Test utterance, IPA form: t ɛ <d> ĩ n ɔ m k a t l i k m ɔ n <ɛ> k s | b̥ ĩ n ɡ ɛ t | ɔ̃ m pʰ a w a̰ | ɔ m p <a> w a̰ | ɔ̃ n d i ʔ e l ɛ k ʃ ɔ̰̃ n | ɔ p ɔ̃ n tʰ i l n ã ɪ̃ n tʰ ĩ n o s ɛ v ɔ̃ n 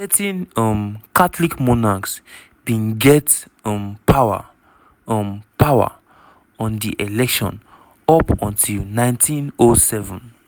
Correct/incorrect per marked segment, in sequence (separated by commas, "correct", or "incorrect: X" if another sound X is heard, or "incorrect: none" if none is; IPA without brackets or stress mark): incorrect: t, incorrect: a, correct